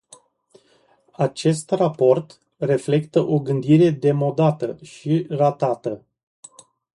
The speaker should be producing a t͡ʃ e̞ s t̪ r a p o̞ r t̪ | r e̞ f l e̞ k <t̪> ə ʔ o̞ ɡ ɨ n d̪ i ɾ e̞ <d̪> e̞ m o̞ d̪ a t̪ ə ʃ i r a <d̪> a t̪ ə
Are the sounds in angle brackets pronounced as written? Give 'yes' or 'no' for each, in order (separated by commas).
yes, yes, no